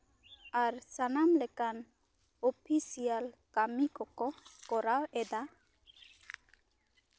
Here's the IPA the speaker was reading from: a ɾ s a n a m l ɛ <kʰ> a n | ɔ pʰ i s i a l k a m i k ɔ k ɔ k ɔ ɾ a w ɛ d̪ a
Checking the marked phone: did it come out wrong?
yes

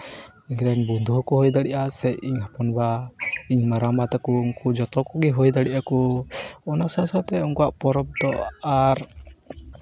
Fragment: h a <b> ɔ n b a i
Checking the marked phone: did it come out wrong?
yes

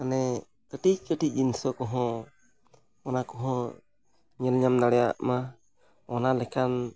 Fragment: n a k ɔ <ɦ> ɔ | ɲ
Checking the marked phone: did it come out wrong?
no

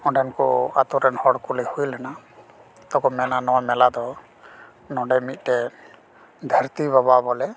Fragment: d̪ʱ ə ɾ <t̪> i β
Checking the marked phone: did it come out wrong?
no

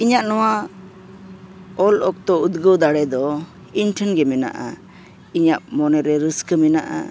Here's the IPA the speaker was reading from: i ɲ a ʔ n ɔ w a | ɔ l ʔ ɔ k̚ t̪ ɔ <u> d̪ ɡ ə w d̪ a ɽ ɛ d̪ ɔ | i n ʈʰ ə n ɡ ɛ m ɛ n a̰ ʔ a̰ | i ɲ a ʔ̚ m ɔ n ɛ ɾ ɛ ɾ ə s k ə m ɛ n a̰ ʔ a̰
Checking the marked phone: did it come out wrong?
no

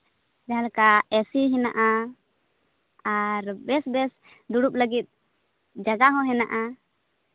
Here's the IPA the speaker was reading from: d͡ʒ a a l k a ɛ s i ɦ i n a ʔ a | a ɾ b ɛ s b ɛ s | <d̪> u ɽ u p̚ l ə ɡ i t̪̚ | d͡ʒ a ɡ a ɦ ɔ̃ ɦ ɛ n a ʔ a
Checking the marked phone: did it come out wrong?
no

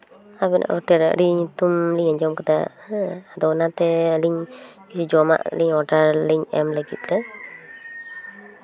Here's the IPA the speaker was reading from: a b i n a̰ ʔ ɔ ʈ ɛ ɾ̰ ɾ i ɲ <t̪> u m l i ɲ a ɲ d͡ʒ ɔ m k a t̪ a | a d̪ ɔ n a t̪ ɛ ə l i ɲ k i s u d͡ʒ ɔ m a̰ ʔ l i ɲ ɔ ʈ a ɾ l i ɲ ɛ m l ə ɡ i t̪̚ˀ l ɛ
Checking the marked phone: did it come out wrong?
no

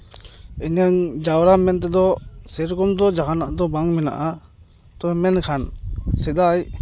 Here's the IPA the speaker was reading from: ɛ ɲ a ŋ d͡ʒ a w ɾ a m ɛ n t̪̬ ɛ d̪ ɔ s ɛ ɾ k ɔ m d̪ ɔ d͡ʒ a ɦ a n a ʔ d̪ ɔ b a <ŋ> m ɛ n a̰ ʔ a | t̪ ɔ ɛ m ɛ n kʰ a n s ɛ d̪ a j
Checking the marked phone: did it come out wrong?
no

